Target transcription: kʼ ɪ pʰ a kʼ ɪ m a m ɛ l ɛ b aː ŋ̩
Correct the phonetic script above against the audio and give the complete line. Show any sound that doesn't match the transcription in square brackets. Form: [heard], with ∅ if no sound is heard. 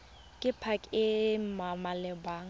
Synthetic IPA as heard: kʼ ɪ pʰ a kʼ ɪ m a m [a] l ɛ b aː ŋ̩